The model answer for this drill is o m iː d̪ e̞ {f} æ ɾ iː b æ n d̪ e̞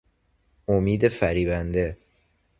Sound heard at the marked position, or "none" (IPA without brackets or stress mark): f